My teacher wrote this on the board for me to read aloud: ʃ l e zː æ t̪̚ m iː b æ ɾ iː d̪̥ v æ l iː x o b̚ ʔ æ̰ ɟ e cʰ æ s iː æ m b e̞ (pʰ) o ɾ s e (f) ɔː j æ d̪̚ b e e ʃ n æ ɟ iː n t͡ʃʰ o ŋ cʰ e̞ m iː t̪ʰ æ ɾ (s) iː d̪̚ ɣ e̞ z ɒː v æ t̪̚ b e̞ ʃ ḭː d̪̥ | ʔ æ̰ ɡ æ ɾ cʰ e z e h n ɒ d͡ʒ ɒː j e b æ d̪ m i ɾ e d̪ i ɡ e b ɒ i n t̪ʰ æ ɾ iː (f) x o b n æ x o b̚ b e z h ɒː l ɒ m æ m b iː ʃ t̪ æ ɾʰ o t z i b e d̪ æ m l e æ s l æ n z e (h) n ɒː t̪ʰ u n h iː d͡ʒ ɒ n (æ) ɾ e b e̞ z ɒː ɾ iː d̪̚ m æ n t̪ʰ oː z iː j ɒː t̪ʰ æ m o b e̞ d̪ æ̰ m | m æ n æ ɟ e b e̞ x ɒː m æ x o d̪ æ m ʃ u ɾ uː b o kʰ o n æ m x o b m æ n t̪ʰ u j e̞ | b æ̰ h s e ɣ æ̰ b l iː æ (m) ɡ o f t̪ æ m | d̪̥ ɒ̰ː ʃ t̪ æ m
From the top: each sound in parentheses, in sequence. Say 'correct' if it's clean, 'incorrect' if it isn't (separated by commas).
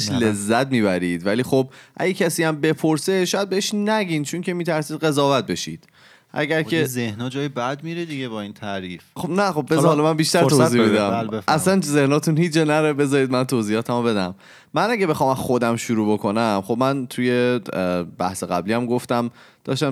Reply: correct, incorrect, correct, correct, correct, correct, correct